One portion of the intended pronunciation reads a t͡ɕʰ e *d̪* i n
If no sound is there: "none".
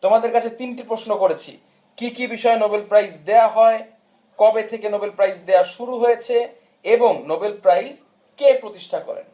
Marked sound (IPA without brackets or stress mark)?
t̪